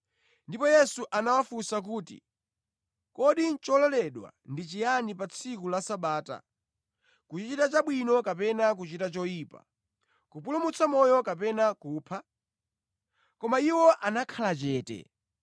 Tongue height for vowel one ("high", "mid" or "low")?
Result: high